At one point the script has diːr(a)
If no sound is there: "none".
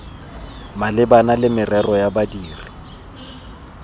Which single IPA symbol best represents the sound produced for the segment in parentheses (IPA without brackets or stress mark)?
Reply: i